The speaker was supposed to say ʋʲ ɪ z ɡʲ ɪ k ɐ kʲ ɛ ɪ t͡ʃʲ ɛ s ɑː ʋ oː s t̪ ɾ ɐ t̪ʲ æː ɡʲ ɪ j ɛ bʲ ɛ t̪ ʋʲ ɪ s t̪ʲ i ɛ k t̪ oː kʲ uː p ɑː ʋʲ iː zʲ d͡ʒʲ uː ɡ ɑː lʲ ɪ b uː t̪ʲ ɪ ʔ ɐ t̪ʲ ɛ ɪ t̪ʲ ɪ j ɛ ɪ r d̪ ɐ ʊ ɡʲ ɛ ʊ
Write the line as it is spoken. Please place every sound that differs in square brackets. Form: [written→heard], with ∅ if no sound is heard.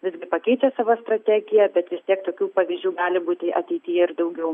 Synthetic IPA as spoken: ʋʲ ɪ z ɡʲ ɪ [k→p] ɐ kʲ ɛ ɪ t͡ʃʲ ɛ s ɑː ʋ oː s t̪ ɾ ɐ t̪ʲ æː ɡʲ ɪ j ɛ bʲ ɛ t̪ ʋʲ ɪ s t̪ʲ i ɛ k t̪ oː kʲ uː p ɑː ʋʲ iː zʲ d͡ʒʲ uː ɡ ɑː lʲ ɪ b uː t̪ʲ ɪ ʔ ɐ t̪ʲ ɛ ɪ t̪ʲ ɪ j ɛ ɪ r d̪ ɐ ʊ ɡʲ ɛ ʊ